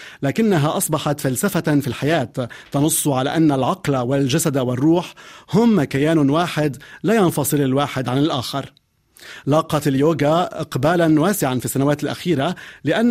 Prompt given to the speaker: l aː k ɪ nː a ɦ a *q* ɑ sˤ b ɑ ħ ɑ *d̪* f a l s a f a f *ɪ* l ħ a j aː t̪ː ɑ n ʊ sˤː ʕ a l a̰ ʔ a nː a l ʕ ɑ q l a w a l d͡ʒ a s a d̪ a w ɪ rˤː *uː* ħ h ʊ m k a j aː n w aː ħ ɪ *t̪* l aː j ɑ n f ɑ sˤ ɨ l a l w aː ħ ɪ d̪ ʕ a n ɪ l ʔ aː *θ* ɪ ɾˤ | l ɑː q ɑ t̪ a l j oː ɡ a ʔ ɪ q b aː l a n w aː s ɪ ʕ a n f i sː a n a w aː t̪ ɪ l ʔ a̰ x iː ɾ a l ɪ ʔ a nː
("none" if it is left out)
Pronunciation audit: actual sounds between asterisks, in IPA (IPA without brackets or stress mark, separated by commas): ʔ, t̪, i, uː, d̪, x